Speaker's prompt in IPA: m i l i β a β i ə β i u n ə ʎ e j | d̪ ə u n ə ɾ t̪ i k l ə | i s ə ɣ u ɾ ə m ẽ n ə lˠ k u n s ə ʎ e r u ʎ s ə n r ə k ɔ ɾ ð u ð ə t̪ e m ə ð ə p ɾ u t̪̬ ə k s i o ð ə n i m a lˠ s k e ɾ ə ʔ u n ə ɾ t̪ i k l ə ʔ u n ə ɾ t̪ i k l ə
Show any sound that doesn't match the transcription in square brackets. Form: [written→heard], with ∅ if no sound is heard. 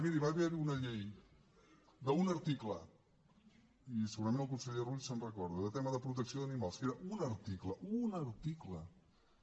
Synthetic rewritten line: m i [l→ɾ] i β a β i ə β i u n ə ʎ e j | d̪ ə u n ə ɾ t̪ i k l ə | i s ə ɣ u ɾ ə m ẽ n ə lˠ k u n s ə ʎ e r u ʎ s ə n r ə k ɔ ɾ ð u ð ə t̪ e m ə ð ə p ɾ u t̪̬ ə k s i o ð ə n i m a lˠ s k e ɾ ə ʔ u n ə ɾ t̪ i k l ə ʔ u n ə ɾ t̪ i k l ə